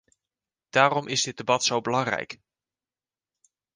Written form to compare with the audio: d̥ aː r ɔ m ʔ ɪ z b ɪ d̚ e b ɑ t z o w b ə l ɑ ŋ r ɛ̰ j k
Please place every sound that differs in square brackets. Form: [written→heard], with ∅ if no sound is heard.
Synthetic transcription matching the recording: d̥ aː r ɔ m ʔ ɪ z [b→d] ɪ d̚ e b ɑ t [z→s] o w b ə l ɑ ŋ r ɛ̰ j k